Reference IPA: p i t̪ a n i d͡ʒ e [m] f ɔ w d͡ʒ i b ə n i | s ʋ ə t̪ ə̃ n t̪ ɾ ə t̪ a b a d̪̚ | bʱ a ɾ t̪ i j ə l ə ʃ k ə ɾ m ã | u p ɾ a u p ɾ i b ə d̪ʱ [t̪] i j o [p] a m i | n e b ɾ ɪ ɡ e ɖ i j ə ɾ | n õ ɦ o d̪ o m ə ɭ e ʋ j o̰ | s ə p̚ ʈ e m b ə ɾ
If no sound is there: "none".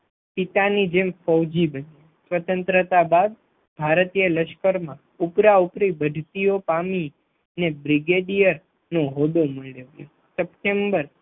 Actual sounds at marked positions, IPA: m, t̪, p

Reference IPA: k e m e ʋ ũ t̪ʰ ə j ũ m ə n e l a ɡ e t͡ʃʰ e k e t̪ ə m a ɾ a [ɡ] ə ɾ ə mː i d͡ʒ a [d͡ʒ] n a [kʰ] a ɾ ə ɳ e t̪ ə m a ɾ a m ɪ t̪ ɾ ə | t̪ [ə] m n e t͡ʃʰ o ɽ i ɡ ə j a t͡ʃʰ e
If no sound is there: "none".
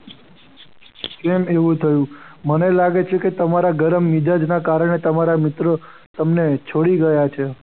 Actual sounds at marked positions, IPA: ɡ, d͡ʒ, k, ə

